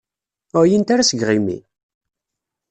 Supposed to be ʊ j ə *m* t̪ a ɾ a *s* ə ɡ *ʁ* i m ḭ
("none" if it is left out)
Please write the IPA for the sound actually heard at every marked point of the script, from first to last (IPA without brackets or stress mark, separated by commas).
n, s, ʁ